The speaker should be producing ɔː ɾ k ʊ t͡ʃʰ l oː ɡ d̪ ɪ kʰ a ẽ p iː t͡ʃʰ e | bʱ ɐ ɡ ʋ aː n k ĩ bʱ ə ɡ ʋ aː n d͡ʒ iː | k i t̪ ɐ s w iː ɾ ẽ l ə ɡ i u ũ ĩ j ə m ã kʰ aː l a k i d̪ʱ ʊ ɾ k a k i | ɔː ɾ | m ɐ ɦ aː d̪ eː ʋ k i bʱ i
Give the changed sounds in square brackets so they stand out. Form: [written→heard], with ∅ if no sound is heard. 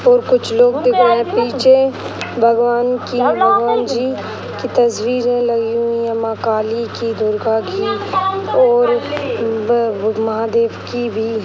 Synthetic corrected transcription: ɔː ɾ k ʊ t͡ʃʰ l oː ɡ d̪ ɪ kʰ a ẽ p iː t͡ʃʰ e | bʱ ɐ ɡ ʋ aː n k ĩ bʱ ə ɡ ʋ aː n d͡ʒ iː | k i t̪ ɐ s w iː ɾ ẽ l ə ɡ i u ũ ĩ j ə m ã [kʰ→k] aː l [a→i] k i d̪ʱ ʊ ɾ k a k i | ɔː ɾ | m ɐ ɦ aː d̪ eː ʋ k i bʱ i